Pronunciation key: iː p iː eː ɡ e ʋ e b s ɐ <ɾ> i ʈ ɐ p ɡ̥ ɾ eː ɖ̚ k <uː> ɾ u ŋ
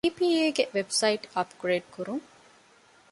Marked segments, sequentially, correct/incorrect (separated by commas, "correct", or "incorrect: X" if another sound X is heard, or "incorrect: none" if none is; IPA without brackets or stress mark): incorrect: none, incorrect: u